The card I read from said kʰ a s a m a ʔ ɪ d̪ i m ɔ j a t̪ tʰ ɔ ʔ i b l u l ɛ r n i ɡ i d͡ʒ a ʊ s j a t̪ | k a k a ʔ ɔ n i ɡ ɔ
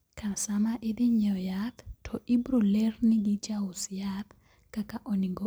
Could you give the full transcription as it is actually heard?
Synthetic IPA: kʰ a s a m a ʔ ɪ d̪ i ɲ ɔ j a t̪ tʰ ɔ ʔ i b ɾ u l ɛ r n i ɡ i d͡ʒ a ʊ s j a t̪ | k a k a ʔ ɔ n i ɡ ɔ